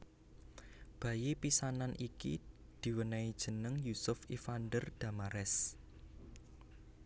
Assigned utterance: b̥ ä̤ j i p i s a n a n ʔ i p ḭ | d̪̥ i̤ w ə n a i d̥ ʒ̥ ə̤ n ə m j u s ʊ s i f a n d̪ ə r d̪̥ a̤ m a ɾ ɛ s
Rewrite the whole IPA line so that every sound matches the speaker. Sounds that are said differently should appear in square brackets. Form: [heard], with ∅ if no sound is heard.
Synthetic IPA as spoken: b̥ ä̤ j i p i s a n a n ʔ i [k] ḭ | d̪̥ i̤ w ə n a i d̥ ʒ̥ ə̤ n ə [ŋ] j u s ʊ [f] i f a n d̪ ə r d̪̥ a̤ m a ɾ ɛ s

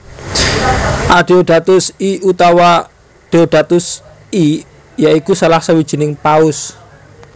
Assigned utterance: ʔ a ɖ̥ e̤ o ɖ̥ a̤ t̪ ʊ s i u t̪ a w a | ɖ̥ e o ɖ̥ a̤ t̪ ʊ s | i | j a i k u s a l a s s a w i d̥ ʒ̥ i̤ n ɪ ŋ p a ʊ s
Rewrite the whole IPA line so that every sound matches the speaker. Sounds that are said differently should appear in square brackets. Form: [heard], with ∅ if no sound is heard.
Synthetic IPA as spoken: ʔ a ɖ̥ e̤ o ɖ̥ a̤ t̪ ʊ s i u t̪ a w a | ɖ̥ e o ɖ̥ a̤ t̪ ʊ s | i | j a i k u s a l a [h] s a w i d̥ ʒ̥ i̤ n ɪ ŋ p a ʊ s

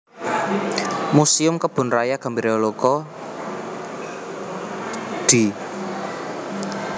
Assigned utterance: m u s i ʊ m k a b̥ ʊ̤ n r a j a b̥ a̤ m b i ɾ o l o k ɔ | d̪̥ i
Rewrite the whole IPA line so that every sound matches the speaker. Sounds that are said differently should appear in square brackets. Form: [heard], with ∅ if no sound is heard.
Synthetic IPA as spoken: m u s i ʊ m k [ə] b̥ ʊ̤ n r a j a [ɡ̥] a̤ m b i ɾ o l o k ɔ | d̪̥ i

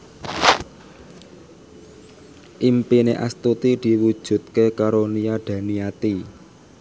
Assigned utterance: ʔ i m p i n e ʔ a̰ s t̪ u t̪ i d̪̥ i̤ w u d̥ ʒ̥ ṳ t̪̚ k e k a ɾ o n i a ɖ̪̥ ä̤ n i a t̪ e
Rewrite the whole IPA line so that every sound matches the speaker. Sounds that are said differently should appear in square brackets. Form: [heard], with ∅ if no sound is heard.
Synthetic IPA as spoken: ʔ i m p i n e ʔ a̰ s t̪ u t̪ i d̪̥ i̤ w u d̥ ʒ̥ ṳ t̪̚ k e k a ɾ o n i a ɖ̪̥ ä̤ n i a t̪ [i]

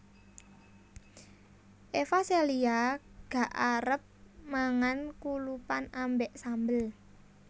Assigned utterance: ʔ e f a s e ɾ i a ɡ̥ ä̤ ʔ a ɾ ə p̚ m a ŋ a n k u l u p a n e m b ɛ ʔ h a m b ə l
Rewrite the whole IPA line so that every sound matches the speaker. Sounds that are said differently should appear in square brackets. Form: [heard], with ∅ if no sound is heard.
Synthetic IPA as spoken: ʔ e f a s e [l] i a ɡ̥ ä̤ ʔ a ɾ ə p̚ m a ŋ a n k u l u p a n [a] m b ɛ ʔ [s] a m b ə l

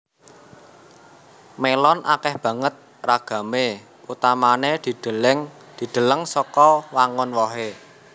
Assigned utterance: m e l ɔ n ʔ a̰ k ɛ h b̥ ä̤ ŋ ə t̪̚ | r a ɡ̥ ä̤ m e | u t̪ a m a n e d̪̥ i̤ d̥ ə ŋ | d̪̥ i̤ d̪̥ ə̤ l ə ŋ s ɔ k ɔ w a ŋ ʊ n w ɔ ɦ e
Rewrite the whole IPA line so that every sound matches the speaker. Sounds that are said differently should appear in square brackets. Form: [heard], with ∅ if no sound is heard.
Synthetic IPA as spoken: m e l ɔ n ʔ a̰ k ɛ h b̥ ä̤ ŋ ə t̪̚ | r a ɡ̥ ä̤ m e | u t̪ a m a n e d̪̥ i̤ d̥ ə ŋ | d̪̥ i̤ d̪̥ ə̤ l ə ŋ s ɔ k ɔ w a ŋ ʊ n w ɔ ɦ e

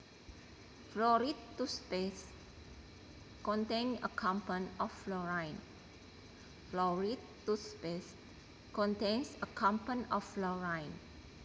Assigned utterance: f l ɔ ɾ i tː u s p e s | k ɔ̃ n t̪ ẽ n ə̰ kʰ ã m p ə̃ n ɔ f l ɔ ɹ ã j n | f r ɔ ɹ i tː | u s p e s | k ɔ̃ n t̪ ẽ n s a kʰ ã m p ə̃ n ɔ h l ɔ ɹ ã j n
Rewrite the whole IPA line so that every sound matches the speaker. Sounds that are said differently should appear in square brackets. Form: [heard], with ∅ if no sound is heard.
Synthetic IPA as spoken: f l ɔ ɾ i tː u s p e s | k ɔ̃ n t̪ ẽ n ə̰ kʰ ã m p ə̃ n ɔ f l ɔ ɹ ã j n | f [l] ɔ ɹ i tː | u s p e s | k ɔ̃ n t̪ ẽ n s [ə] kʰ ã m p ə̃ n ɔ [f] l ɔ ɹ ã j n

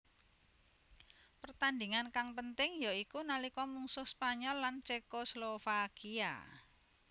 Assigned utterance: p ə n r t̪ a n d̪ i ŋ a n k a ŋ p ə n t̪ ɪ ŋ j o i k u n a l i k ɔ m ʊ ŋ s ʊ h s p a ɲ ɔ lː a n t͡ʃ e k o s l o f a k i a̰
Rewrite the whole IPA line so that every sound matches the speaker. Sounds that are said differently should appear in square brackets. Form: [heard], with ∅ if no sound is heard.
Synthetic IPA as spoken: p ə [∅] r t̪ a n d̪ i ŋ a n k a ŋ p ə n t̪ ɪ ŋ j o i k u n a l i k ɔ m [u] ŋ s ʊ h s p a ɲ ɔ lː a n t͡ʃ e k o s l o f a k i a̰

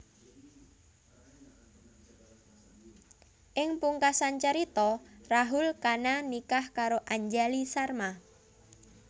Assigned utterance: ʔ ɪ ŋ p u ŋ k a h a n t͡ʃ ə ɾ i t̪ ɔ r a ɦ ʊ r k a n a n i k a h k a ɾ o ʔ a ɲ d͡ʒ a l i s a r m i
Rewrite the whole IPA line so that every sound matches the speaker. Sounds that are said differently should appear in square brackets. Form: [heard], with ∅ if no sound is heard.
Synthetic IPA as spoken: ʔ ɪ ŋ p u ŋ k a [s] a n t͡ʃ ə ɾ i t̪ ɔ r a ɦ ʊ [l] k a n a n i k a h k a ɾ o ʔ a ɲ d͡ʒ a l i s a r m [a]

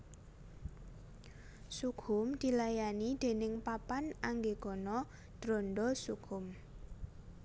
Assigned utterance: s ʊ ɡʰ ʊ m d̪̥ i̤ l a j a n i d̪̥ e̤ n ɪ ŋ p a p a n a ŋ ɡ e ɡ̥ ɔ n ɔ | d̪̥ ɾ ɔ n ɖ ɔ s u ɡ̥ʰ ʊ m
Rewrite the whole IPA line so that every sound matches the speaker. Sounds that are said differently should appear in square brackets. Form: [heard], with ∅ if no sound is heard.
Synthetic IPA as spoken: s [u] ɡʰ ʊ m d̪̥ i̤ l a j a n i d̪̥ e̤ n ɪ ŋ p a p a n a ŋ ɡ e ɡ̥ ɔ n ɔ | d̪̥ ɾ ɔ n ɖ ɔ s u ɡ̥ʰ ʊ m

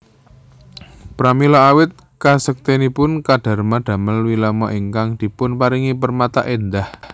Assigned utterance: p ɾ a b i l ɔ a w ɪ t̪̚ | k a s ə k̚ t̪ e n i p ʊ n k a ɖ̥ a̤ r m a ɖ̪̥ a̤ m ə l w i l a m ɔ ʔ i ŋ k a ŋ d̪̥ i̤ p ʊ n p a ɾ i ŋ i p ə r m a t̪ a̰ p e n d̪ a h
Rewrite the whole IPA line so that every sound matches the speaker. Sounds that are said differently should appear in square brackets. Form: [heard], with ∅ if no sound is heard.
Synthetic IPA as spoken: p ɾ a [m] i l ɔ a w ɪ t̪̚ | k a s ə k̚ t̪ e n i p ʊ n k a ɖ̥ a̤ r m a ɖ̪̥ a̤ m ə l w i l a m ɔ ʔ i ŋ k a ŋ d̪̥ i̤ p ʊ n p a ɾ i ŋ i p ə r m a t̪ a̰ [ʔ] e n d̪ a h

